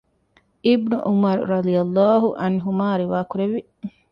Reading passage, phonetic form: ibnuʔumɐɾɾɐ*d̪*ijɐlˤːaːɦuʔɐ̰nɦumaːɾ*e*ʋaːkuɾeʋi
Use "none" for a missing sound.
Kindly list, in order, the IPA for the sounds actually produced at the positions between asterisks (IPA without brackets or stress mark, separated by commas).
d̪, i